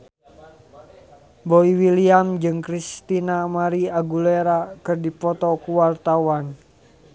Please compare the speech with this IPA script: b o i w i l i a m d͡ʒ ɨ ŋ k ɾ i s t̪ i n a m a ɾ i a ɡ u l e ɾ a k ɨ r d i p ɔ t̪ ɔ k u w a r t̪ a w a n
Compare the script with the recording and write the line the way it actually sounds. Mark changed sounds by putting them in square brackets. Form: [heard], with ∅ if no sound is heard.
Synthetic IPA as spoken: b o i w i l i a m d͡ʒ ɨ ŋ k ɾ i s t̪ i n a m a ɾ i a ɡ u l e ɾ a k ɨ r d i p ɔ t̪ ɔ k u w a r t̪ a w a n